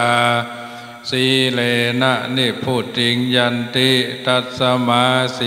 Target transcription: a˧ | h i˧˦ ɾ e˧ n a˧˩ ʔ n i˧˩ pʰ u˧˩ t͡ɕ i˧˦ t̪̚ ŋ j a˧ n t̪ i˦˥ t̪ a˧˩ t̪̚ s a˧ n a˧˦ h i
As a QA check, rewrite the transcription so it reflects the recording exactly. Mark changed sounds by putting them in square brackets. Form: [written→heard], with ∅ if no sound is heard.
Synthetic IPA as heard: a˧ | [h→s] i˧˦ [ɾ→l] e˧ n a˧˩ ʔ n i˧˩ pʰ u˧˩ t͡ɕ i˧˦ [t̪̚→∅] ŋ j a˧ n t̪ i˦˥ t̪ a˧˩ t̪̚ s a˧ [n→m] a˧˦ [h→s] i